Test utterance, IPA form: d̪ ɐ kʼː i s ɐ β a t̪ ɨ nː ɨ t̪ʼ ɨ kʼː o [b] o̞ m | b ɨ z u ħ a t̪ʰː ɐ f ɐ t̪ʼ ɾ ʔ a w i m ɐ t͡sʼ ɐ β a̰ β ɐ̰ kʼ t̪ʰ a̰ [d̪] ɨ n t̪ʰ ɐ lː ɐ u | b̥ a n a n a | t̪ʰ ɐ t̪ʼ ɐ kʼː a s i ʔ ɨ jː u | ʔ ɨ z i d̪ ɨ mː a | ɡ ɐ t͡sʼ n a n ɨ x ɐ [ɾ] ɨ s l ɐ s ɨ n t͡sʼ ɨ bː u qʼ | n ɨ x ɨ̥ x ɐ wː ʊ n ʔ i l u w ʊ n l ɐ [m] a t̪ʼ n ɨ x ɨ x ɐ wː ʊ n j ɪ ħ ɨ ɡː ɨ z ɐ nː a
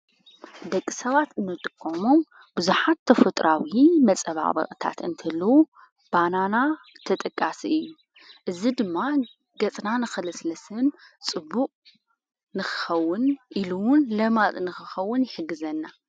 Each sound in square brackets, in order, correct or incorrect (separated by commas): incorrect, incorrect, incorrect, correct